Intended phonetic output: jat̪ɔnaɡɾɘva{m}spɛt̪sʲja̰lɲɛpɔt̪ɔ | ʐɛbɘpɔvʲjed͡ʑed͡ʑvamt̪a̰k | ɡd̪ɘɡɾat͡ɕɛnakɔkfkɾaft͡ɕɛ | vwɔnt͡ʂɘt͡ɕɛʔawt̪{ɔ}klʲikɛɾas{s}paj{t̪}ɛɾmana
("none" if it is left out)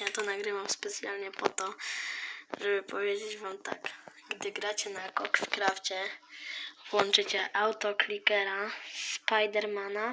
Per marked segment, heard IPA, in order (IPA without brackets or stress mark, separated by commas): m, ɔ, s, d̪